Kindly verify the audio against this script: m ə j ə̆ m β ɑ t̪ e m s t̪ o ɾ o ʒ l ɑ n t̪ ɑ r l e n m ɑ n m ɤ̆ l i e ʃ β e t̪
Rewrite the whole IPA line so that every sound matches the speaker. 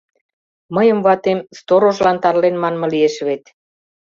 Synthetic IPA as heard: m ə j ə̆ m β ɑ t̪ e m s t̪ o ɾ o ʒ l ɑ n t̪ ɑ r l e n m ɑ n m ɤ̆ l i e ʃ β e t̪

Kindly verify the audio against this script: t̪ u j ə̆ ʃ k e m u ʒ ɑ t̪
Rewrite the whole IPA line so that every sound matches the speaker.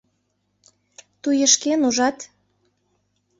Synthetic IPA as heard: t̪ u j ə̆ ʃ k e n u ʒ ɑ t̪

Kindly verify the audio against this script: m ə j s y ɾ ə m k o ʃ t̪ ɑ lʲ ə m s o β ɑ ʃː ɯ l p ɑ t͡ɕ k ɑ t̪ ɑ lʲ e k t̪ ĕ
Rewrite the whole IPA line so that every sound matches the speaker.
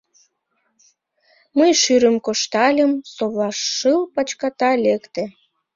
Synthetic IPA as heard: m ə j ʃ y ɾ ə m k o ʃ t̪ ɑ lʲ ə m s o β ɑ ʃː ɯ l p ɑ t͡ɕ k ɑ t̪ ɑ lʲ e k t̪ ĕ

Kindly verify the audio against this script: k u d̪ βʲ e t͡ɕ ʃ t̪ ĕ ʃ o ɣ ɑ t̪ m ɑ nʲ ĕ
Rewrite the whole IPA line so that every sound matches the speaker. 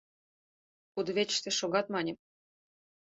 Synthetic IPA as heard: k u d̪ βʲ e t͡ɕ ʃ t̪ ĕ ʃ o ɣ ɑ t̪ m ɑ nʲ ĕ

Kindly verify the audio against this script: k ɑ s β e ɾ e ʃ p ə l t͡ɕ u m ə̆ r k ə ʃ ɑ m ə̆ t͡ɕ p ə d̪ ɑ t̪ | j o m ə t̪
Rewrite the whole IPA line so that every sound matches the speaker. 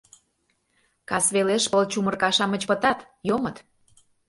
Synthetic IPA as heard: k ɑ s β e l e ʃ p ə l t͡ɕ u m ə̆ r k ɑ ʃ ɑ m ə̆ t͡ɕ p ə t̪ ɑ t̪ | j o m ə t̪

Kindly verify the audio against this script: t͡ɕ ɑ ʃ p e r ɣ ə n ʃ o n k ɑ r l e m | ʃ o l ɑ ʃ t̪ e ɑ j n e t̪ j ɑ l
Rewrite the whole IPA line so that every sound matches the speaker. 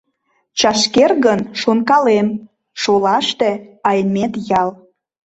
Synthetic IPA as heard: t͡ɕ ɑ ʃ k e r ɣ ə n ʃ o n k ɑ l e m | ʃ o l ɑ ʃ t̪ e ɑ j m e t̪ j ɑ l

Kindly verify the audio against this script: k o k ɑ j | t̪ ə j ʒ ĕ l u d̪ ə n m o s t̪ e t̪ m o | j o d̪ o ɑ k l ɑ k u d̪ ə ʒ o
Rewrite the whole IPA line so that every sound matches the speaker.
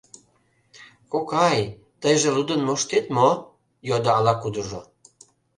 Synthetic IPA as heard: k o k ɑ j | t̪ ə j ʒ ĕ l u d̪ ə n m o ʃ t̪ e t̪ m o | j o d̪ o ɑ l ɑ k u d̪ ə ʒ o

